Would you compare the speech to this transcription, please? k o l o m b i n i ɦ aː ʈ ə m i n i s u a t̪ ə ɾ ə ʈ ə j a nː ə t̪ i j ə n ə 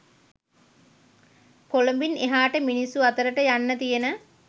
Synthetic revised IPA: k o l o m b i n e ɦ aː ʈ ə m i n i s u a t̪ ə ɾ ə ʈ ə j a nː ə t̪ i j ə n ə